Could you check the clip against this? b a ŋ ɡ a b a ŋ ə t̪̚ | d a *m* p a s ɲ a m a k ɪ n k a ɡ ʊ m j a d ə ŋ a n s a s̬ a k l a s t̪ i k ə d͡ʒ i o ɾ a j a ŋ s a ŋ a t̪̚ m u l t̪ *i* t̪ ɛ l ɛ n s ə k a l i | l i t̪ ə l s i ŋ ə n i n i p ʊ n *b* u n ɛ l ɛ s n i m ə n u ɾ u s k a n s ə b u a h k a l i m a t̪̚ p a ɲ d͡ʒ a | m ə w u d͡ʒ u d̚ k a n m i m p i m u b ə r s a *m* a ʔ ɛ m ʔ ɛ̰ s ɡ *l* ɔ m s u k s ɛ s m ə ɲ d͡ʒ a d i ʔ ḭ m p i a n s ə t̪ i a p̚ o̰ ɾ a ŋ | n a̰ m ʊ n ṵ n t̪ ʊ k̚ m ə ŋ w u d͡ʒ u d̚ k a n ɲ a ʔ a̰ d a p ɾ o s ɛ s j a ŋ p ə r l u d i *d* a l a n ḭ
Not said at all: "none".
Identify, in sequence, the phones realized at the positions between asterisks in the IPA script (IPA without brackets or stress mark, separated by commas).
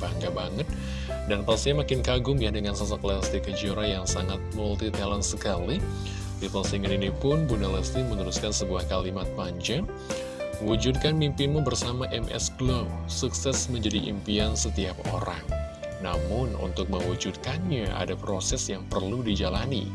n, i, b, m, l, d͡ʒ